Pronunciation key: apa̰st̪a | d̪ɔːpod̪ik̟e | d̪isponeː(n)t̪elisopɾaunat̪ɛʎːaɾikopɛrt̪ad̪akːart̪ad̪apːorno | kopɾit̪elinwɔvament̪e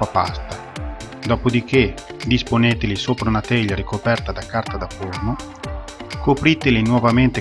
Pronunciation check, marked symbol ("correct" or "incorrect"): incorrect